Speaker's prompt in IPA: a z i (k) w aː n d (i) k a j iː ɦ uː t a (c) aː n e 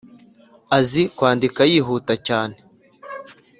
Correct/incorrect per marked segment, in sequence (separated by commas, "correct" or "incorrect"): correct, correct, correct